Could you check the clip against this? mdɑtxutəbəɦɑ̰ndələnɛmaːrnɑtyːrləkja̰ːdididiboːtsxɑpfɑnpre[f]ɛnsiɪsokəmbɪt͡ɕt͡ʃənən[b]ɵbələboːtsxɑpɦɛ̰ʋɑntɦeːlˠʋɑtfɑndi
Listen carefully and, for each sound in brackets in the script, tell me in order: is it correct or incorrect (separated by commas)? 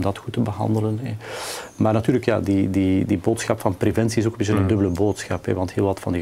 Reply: incorrect, incorrect